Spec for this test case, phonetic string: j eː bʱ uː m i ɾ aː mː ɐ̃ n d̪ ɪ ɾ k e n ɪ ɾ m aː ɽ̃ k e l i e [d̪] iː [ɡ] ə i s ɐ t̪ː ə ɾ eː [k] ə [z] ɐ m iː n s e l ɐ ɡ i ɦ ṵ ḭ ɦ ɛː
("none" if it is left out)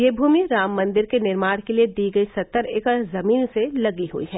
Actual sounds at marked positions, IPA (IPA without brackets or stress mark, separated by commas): d̪, ɡ, k, z